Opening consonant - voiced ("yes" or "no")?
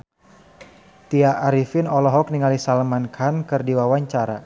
no